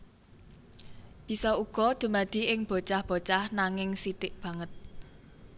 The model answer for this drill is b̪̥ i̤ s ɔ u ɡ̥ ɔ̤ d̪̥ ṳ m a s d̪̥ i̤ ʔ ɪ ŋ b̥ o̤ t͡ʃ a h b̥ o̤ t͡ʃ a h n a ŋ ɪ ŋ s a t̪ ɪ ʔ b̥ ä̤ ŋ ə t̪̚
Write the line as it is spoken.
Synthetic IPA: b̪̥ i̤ s ɔ u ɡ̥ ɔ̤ d̪̥ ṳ m a d̪̥ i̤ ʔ ɪ ŋ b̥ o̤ t͡ʃ a h b̥ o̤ t͡ʃ a h n a ŋ ɪ ŋ s i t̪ ɪ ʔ b̥ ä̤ ŋ ə t̪̚